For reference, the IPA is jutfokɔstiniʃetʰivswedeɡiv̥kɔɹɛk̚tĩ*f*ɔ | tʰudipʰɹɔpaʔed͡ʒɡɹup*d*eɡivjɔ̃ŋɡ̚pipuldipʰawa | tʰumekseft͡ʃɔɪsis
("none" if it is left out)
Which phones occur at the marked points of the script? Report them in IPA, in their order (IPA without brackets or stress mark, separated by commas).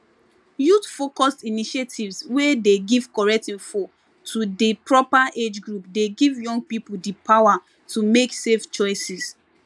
f, d